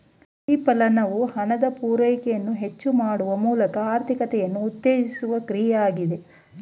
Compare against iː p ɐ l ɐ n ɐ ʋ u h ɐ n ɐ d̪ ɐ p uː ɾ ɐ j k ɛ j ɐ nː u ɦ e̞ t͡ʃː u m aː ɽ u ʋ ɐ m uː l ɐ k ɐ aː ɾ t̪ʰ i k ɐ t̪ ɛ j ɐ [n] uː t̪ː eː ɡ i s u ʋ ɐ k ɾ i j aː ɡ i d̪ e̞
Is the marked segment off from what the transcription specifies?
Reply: yes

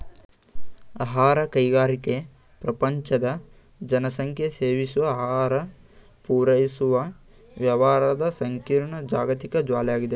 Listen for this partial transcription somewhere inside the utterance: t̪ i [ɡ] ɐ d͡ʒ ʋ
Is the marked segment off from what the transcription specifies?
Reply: yes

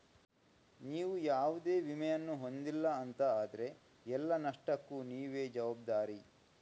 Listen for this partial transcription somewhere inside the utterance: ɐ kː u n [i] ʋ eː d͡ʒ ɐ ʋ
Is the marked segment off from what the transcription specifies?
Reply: yes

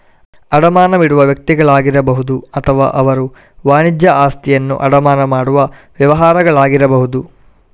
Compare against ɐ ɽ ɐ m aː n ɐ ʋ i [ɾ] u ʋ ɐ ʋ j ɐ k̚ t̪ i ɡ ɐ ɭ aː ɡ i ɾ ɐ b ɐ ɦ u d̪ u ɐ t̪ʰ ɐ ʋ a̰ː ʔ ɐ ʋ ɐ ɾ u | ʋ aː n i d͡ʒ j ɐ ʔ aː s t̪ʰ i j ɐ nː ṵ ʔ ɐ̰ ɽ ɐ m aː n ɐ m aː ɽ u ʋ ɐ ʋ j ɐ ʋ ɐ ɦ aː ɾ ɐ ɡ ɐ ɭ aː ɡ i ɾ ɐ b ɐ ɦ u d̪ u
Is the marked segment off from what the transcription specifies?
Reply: yes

